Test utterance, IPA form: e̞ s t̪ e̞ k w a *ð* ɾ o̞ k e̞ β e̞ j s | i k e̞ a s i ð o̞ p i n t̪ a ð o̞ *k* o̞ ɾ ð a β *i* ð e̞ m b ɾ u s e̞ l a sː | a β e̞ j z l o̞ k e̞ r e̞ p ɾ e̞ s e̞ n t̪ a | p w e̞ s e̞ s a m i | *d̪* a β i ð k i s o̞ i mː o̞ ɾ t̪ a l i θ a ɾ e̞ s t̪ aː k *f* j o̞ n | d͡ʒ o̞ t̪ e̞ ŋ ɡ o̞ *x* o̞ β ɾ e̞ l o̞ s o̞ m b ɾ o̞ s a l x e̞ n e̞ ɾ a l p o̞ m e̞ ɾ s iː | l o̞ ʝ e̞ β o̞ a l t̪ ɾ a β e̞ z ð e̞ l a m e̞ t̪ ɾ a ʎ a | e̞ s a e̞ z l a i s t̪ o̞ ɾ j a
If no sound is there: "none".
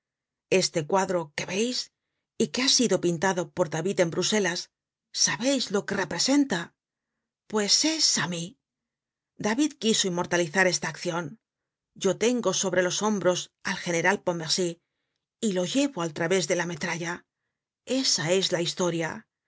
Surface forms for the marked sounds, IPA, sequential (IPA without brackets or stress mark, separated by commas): ð, p, i, d̪, θ, s